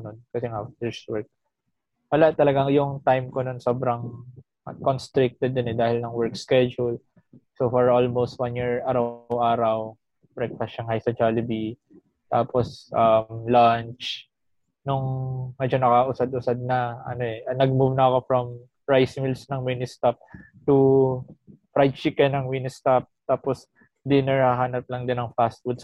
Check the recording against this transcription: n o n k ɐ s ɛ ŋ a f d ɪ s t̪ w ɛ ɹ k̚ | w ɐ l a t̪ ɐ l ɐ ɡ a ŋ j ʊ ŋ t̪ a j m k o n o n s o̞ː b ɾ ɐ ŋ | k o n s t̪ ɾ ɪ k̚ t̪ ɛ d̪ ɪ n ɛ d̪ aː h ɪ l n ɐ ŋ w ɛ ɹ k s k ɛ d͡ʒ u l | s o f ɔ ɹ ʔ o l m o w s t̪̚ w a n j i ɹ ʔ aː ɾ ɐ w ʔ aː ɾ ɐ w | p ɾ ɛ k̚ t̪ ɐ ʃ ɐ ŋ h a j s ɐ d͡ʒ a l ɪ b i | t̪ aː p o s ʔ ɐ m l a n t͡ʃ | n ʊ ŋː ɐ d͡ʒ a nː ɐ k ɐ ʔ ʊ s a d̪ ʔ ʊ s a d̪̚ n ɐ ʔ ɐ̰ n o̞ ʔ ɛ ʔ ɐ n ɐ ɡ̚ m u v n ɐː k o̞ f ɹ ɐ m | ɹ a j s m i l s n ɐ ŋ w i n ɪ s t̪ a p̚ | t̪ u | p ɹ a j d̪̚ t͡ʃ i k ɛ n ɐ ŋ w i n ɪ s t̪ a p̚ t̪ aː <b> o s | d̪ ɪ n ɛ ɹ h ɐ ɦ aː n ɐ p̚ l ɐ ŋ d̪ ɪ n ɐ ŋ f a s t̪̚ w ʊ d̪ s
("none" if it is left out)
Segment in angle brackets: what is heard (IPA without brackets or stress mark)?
p